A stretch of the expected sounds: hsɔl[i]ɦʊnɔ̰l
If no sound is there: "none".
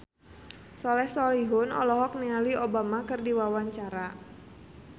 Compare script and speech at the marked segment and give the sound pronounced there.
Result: i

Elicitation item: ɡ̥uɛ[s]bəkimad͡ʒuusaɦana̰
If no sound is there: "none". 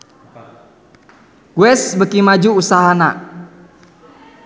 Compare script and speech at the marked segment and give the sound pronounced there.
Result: s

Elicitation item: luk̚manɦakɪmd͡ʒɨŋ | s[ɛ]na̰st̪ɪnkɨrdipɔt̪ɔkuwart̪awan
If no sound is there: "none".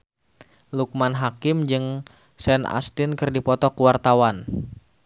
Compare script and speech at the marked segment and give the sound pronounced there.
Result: ɛ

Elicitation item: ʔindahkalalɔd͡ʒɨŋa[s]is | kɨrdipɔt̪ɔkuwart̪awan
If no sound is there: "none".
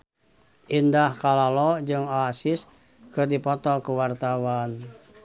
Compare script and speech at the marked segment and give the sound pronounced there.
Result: s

